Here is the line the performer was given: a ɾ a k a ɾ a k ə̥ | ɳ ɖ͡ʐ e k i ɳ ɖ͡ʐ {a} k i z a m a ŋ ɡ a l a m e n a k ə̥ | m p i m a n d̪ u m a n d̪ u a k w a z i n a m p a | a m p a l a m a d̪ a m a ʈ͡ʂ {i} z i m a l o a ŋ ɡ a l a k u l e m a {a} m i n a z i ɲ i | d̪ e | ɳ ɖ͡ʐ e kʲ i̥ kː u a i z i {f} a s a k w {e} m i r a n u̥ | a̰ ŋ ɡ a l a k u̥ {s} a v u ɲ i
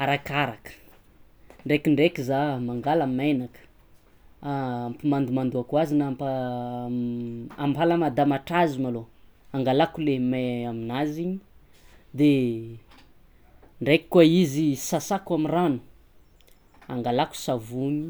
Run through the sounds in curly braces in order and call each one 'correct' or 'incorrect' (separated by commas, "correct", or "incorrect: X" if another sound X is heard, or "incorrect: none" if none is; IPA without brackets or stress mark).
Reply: incorrect: e, incorrect: a, correct, incorrect: s, incorrect: a, correct